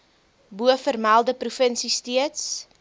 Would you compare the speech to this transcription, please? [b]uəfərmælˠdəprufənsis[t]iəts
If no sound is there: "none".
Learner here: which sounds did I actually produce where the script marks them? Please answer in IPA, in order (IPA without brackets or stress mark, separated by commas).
b, t